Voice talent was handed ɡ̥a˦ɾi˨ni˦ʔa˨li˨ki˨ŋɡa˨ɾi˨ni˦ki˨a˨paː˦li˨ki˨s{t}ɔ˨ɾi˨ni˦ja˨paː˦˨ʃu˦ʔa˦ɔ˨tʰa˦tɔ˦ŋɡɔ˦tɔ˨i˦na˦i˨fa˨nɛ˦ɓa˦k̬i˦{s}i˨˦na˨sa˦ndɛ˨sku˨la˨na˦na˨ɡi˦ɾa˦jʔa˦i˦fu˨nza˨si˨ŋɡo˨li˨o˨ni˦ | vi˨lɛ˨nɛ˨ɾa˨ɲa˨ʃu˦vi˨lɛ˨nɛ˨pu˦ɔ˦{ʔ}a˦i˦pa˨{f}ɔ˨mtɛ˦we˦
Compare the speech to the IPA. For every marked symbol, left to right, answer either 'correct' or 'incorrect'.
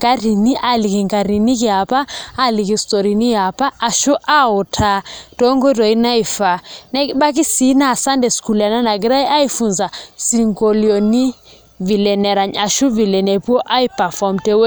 correct, correct, correct, correct

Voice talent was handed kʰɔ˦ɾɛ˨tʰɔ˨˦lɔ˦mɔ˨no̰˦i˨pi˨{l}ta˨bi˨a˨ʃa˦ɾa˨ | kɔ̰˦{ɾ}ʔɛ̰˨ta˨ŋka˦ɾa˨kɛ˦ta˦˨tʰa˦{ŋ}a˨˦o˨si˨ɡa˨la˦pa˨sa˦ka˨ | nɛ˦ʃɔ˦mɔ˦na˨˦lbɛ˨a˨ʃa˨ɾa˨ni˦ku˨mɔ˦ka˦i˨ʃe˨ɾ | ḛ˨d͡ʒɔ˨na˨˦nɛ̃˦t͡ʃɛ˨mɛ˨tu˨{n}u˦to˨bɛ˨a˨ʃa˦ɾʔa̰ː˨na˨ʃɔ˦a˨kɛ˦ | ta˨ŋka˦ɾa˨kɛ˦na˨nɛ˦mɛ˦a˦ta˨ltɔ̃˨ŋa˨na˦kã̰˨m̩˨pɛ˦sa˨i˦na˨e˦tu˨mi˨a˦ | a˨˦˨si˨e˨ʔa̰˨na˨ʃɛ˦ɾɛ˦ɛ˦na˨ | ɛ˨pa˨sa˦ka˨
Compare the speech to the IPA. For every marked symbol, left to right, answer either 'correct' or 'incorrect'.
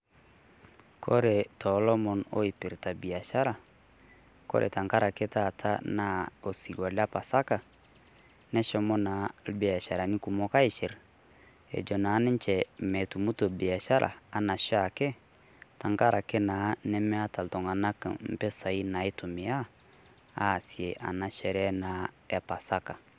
incorrect, correct, incorrect, incorrect

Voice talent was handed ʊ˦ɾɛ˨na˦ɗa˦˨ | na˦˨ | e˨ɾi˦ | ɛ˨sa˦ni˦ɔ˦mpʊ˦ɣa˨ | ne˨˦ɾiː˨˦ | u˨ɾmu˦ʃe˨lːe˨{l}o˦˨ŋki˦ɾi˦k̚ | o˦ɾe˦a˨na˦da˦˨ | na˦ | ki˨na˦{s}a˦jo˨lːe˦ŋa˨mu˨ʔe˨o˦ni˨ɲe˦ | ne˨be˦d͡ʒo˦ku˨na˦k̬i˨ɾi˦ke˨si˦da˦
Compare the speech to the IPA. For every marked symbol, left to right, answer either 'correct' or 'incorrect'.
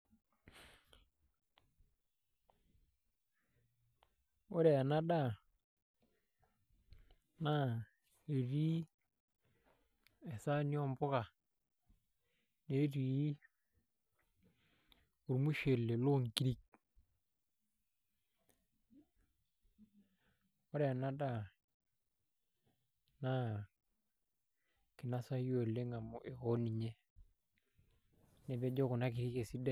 correct, correct

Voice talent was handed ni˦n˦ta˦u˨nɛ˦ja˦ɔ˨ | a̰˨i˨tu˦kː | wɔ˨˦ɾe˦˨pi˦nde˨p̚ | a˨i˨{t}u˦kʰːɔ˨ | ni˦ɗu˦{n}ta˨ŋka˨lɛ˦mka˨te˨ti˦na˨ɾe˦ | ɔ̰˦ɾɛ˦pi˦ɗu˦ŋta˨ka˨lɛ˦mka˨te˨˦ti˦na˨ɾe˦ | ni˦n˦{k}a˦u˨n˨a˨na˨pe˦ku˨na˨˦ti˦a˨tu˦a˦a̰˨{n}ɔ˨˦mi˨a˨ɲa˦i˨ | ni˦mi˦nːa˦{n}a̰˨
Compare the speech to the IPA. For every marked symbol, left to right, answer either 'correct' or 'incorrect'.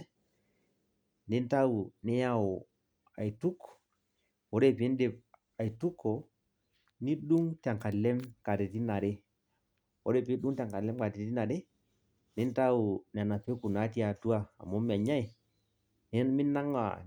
correct, incorrect, incorrect, incorrect, incorrect

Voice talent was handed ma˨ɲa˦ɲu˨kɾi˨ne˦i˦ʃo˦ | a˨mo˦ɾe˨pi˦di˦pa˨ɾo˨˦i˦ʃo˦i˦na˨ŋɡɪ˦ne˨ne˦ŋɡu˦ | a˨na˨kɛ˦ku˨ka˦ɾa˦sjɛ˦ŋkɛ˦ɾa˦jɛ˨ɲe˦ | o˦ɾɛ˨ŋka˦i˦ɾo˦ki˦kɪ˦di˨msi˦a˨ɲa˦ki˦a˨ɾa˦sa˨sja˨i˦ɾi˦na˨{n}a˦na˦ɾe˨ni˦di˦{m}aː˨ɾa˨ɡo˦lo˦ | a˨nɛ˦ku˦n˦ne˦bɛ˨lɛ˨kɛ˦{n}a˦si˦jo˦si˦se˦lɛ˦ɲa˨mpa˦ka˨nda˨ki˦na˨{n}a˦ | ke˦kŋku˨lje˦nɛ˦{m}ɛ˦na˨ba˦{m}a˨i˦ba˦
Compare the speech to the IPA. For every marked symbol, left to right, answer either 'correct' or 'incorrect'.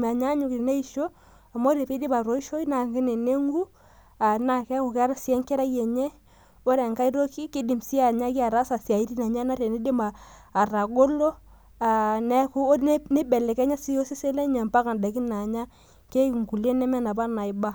incorrect, correct, incorrect, incorrect, correct, incorrect

